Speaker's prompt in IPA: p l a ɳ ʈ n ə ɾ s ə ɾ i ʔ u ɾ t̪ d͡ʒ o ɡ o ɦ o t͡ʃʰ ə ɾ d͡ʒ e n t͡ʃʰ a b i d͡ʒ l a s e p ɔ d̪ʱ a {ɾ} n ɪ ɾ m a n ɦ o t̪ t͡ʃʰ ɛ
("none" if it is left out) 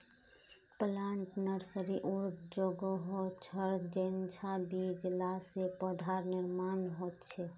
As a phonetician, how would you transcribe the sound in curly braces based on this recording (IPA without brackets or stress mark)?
ɾ